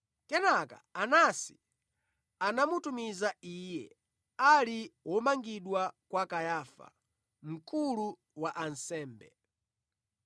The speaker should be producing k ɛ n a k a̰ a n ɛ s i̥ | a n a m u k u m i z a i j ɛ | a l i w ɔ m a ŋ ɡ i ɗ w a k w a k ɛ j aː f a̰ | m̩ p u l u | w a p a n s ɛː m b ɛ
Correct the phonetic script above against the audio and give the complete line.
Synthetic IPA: k ɛ n a k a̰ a n a s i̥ | a n a m u t u m i z a i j ɛ | a l i w ɔ m a ŋ ɡ i ɗ w a k w a k a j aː f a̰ | m̩ k u l u | w a ʔ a n s ɛː m b ɛ